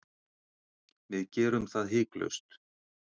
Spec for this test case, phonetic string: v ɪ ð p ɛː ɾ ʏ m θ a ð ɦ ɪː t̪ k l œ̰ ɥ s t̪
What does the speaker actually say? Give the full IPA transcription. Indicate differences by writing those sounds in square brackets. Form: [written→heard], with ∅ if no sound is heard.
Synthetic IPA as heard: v ɪ ð [p→c] ɛː ɾ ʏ m θ a ð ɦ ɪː [t̪→∅] k l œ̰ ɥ s t̪